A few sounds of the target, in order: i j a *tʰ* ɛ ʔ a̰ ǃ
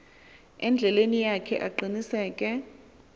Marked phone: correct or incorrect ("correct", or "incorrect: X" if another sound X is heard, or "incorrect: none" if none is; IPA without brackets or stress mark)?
incorrect: kʰ